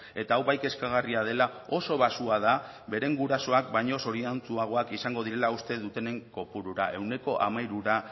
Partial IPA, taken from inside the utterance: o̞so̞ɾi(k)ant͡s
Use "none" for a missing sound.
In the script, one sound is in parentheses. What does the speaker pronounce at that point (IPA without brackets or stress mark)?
none